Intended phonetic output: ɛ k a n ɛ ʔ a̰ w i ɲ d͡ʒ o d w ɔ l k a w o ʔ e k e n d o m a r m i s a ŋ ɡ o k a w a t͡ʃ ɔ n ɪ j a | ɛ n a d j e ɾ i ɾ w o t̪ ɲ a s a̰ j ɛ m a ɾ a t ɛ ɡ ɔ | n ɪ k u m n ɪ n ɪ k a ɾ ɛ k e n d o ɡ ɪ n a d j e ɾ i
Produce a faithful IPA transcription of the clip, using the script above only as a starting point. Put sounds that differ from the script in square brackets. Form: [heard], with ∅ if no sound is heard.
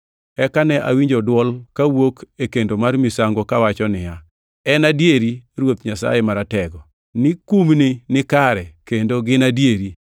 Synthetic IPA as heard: ɛ k a n ɛ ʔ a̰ w i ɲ d͡ʒ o d w ɔ l k a w o [k] e k e n d o m a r m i s a ŋ ɡ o k a w a t͡ʃ ɔ n ɪ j a | ɛ n a d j e ɾ i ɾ w o t̪ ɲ a s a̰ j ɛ m a ɾ a t ɛ ɡ ɔ | n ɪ k u m n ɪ n ɪ k a ɾ ɛ k e n d o ɡ ɪ n a d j e ɾ i

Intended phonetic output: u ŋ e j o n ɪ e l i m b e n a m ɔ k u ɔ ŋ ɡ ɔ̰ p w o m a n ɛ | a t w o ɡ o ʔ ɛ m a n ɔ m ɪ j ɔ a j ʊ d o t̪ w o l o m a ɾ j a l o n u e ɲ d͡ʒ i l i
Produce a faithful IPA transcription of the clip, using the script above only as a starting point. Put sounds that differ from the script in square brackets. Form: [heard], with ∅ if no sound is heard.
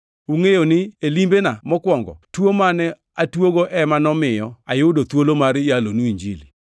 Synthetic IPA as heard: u ŋ e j o n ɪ e l i m b e n a m ɔ k [w] ɔ ŋ ɡ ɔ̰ [t] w o m a n ɛ | a t w o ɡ o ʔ ɛ m a n ɔ m ɪ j ɔ a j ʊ d o t̪ w o l o m a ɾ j a l o n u [i] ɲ d͡ʒ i l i

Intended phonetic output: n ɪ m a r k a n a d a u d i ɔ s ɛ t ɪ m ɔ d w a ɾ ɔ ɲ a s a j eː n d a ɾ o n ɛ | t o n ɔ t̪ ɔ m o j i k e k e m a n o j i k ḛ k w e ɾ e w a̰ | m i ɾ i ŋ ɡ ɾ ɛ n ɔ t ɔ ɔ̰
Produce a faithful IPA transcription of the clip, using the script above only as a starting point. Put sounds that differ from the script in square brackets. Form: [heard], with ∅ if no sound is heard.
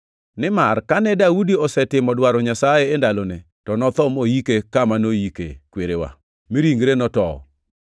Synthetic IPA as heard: n ɪ m a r k a n [ɛ] d a u d i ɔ s ɛ t ɪ m ɔ d w a ɾ ɔ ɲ a s a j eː n d a [l] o n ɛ | t [ɔ] n ɔ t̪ ɔ m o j i k e k [a] m a n o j i k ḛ k w e ɾ e w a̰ | m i ɾ i ŋ ɡ ɾ [e] n ɔ t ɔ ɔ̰

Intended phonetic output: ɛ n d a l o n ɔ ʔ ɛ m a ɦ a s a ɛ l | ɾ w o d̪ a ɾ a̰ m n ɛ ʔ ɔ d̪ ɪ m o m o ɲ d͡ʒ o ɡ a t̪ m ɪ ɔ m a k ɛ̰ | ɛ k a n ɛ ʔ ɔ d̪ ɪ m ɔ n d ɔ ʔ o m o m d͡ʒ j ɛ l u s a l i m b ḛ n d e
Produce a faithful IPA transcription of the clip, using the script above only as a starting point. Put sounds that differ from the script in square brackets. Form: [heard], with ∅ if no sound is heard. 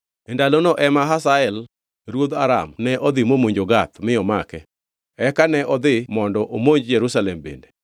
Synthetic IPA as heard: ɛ n d a l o n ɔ ʔ ɛ m a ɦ a s a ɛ l | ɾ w o d̪ a ɾ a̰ m n ɛ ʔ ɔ d̪ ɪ m o m o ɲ d͡ʒ o ɡ a t̪ m ɪ ɔ m a k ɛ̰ | ɛ k a n ɛ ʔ ɔ d̪ ɪ m ɔ n d ɔ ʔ o m o [ɲ] d͡ʒ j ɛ [ɾ] u s a l [ɛ] m b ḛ n d e

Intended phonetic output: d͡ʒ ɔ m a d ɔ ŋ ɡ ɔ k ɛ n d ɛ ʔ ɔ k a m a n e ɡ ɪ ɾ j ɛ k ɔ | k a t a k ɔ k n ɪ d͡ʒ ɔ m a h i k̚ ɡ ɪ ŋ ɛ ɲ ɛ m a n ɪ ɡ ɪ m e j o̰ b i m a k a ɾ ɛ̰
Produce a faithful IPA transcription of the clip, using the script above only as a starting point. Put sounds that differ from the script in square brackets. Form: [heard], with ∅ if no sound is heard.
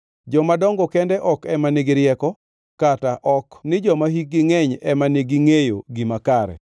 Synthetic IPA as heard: d͡ʒ ɔ m a d ɔ ŋ ɡ ɔ k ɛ n d ɛ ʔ ɔ k [ɛ] m a n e ɡ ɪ ɾ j ɛ k ɔ | k a t a [ʔ] ɔ k n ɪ d͡ʒ ɔ m a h i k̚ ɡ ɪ ŋ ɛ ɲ ɛ m a n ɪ ɡ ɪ [ŋ] e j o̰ [ɡ] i m a k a ɾ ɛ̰

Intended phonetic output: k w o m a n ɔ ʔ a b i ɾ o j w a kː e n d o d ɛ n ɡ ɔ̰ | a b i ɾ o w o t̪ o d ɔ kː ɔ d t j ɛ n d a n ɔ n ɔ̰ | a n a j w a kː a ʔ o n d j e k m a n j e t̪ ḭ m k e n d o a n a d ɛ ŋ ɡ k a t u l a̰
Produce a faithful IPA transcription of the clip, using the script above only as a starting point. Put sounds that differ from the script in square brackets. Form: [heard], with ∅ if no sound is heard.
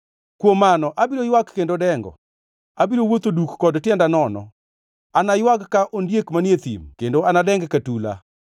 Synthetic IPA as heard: k w o m a n ɔ ʔ a b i ɾ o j w a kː e n d o d ɛ [ŋ] ɡ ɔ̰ | a b i ɾ o w o t̪ o d [u] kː ɔ d t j ɛ n d a n ɔ n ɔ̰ | a n a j w a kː a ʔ o n d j e k m a n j e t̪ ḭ m k e n d o a n a d ɛ ŋ ɡ k a t u l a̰

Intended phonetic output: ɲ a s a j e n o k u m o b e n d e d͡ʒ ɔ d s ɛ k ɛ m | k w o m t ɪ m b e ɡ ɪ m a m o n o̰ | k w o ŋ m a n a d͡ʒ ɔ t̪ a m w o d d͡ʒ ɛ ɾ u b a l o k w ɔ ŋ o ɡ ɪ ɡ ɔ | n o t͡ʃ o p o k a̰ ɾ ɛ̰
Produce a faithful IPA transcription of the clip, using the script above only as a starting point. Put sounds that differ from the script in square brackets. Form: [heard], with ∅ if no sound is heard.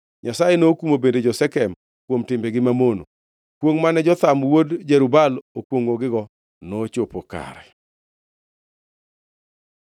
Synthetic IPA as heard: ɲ a s a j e n o k u m o b e n d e d͡ʒ ɔ [∅] s ɛ k ɛ m | k w o m t ɪ m b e ɡ ɪ m a m o n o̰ | k w o ŋ m a n [ɛ] d͡ʒ ɔ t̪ a m w o d d͡ʒ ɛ ɾ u b a l o k w [o] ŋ o ɡ ɪ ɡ ɔ | n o t͡ʃ o p o k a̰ ɾ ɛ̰

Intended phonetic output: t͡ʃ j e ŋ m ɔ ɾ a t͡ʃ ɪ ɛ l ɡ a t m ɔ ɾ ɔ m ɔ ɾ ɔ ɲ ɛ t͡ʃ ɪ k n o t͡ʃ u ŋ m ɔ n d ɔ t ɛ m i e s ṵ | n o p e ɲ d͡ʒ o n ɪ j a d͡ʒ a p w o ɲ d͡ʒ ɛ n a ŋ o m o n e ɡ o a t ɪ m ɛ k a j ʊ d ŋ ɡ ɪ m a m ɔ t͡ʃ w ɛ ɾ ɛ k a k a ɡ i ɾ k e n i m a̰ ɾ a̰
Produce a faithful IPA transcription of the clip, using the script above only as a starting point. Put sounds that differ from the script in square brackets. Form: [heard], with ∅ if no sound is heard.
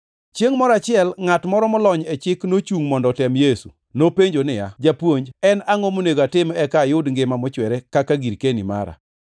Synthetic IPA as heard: t͡ʃ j e ŋ m ɔ ɾ a t͡ʃ ɪ ɛ l [ŋ] a t m ɔ ɾ ɔ m ɔ [l] ɔ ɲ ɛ t͡ʃ ɪ k n o t͡ʃ u ŋ m ɔ n d ɔ t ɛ m [j] e s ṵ | n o p e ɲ d͡ʒ o n ɪ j a d͡ʒ a p w o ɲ d͡ʒ ɛ n a ŋ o m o n e ɡ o a t ɪ m ɛ k a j ʊ d ŋ ɡ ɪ m a m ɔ t͡ʃ w ɛ ɾ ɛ k a k a ɡ i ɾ k e n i m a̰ ɾ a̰

